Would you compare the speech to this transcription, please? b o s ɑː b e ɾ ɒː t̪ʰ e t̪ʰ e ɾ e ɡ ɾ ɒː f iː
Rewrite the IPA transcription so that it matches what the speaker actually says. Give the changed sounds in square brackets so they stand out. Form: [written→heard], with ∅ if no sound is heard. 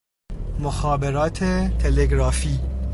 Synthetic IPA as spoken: [b→m] o [s→x] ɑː b e ɾ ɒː t̪ʰ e t̪ʰ e [ɾ→l] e ɡ ɾ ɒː f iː